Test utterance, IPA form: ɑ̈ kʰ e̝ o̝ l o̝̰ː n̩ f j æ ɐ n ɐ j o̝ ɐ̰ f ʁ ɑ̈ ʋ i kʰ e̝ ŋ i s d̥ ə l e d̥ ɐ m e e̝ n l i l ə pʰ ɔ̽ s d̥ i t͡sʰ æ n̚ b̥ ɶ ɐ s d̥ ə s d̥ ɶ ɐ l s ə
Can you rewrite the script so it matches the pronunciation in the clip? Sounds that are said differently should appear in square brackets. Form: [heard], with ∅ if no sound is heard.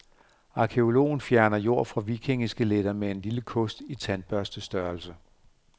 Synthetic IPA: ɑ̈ kʰ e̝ o̝ l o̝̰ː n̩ f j æ ɐ n ɐ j o̝ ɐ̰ f ʁ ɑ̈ ʋ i kʰ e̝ ŋ i s [ɡ̥] ə l e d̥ ɐ m e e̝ n l i l ə [kʰ] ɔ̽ s d̥ i t͡sʰ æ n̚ b̥ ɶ ɐ s d̥ ə s d̥ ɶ ɐ l s ə